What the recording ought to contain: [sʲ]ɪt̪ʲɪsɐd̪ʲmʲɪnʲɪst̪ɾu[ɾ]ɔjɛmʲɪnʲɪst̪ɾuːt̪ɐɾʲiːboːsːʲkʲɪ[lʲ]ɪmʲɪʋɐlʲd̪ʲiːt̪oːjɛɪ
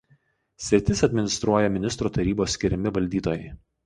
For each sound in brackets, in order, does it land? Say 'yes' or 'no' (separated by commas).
yes, no, no